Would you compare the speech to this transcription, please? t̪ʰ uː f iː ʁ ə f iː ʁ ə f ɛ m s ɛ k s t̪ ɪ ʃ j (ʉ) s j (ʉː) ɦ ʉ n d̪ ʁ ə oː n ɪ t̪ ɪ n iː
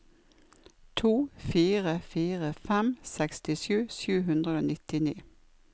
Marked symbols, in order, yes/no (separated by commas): no, yes